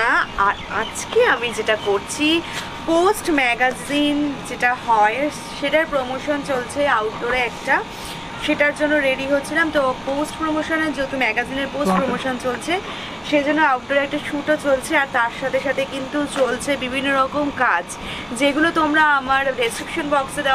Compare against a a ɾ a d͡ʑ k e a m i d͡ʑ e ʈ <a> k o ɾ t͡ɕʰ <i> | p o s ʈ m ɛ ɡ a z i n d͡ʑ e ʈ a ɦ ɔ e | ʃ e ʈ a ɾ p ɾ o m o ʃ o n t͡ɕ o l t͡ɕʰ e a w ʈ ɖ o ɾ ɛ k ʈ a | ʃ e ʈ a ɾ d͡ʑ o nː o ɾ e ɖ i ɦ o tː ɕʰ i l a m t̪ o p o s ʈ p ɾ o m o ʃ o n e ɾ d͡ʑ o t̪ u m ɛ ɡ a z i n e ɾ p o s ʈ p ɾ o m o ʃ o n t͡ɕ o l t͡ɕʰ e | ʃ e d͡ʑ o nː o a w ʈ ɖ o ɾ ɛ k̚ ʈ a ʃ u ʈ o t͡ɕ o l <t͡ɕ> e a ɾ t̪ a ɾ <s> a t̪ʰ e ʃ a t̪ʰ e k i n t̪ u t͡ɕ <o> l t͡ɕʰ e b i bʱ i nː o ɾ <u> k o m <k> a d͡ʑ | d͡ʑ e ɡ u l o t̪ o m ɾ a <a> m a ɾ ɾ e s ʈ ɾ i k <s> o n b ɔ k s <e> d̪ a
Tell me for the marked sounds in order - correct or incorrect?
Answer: correct, correct, incorrect, incorrect, correct, incorrect, correct, correct, incorrect, correct

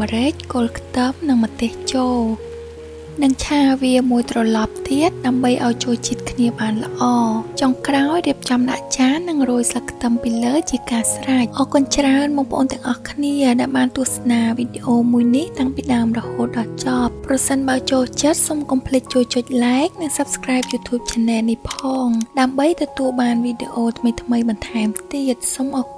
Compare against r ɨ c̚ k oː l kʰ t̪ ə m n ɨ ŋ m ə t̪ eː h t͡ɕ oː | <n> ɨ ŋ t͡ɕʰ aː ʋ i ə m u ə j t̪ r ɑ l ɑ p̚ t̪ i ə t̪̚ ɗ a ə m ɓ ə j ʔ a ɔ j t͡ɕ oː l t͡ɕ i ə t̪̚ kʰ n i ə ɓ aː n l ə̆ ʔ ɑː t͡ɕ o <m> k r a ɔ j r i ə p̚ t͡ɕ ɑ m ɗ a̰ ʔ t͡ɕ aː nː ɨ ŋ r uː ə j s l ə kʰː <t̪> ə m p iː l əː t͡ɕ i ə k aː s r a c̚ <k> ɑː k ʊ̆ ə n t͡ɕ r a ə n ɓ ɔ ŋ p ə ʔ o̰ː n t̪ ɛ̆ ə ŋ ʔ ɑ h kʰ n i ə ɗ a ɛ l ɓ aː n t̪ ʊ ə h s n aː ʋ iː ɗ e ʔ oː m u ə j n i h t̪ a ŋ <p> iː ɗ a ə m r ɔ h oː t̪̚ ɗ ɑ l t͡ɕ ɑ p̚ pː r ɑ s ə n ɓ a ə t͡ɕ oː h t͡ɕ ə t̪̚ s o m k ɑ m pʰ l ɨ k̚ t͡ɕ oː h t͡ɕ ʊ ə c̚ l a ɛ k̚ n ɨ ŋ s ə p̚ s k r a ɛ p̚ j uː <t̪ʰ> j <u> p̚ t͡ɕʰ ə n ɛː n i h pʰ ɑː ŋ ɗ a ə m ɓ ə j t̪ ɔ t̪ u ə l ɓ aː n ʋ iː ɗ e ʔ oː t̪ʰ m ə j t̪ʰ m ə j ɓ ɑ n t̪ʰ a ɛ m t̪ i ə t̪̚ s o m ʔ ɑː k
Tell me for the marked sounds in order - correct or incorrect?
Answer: correct, incorrect, correct, incorrect, correct, correct, incorrect

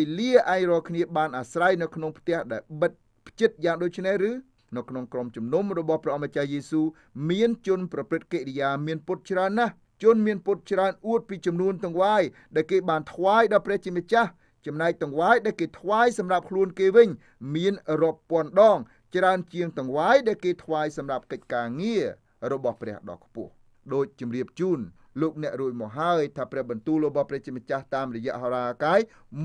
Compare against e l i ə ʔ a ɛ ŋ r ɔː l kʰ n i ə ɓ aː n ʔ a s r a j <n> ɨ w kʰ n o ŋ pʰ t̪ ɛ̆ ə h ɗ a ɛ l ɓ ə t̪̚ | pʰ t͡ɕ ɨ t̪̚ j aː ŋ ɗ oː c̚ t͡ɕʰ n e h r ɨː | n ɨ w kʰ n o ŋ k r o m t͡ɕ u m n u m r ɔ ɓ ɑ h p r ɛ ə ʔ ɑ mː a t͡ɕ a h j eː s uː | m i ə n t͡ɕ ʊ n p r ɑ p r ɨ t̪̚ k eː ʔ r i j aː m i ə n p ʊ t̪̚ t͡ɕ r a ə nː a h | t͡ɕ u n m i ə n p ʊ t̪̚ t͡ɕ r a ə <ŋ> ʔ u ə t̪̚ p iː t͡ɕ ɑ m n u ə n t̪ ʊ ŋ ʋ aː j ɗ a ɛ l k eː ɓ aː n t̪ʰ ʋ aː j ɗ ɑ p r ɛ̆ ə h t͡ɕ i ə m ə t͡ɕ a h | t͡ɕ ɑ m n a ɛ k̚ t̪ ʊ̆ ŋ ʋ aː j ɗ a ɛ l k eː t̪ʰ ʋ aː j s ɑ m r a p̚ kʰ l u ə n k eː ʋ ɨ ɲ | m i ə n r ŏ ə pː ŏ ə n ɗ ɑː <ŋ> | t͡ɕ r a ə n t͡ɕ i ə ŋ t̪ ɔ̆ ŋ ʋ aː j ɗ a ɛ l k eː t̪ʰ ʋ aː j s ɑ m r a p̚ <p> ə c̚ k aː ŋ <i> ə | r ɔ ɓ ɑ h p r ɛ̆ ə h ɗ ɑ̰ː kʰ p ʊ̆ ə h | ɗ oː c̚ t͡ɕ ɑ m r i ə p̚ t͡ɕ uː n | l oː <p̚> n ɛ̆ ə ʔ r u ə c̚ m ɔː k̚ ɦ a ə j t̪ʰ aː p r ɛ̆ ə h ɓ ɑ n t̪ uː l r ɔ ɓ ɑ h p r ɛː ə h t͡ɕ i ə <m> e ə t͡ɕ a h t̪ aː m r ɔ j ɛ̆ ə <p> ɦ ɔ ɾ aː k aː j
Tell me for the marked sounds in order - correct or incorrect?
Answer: correct, incorrect, correct, incorrect, correct, incorrect, correct, incorrect

